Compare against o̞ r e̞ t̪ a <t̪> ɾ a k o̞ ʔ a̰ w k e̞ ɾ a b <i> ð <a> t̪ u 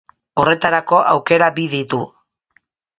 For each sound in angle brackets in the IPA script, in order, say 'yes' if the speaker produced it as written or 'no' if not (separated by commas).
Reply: no, yes, no